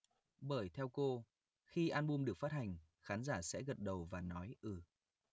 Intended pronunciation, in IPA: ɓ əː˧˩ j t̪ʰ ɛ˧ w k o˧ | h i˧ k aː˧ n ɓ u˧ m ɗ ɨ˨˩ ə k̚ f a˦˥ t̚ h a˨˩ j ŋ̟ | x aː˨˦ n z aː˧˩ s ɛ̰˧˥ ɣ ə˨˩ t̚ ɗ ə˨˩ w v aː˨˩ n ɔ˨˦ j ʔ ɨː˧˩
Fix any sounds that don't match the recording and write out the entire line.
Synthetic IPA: ɓ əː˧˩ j t̪ʰ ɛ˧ w k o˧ | x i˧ ʔ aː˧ n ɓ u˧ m ɗ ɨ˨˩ ə k̚ f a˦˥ t̚ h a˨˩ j ŋ̟ | x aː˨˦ n z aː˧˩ s ɛ̰˧˥ ɣ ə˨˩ t̚ ɗ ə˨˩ w v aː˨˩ n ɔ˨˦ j ʔ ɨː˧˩